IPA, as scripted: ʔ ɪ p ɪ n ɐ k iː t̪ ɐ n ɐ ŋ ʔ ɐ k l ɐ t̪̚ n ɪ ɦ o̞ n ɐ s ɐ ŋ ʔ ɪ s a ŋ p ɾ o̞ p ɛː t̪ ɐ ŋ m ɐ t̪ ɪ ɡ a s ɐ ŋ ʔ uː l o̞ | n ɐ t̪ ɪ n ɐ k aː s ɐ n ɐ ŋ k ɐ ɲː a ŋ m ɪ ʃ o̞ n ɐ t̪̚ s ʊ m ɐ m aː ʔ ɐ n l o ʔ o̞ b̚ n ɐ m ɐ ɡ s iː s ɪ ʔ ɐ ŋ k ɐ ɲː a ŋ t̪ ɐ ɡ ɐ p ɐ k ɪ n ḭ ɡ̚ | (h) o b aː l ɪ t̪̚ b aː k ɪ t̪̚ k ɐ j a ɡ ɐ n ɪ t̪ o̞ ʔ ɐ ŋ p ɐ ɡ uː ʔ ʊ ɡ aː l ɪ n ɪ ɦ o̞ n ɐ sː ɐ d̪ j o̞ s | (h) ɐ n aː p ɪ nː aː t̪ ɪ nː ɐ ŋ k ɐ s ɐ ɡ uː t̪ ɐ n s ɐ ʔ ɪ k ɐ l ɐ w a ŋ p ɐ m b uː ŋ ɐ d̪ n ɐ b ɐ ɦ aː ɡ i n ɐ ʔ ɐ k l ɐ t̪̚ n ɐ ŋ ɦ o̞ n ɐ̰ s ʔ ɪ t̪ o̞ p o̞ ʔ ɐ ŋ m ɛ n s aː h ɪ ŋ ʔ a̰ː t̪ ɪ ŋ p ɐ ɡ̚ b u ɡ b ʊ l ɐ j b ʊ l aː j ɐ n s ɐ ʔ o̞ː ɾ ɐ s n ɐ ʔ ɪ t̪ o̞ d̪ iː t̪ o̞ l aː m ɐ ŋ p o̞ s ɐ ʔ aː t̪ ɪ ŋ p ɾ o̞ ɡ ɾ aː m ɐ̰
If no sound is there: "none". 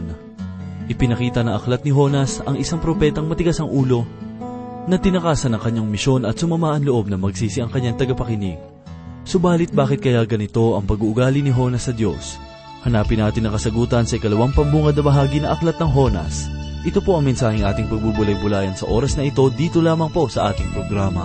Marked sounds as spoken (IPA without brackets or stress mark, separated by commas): s, h